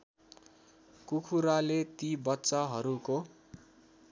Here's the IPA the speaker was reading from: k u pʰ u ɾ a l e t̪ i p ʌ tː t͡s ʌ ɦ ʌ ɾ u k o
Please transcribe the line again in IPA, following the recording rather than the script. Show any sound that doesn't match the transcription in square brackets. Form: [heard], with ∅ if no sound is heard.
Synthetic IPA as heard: k u [kʰ] u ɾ a l e t̪ i [b] ʌ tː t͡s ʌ ɦ ʌ ɾ u k o